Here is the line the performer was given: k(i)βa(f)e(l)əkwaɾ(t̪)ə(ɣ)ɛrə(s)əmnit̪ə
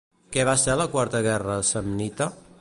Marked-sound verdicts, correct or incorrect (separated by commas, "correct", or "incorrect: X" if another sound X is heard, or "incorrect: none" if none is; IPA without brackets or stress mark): incorrect: ɛ, incorrect: s, correct, correct, correct, correct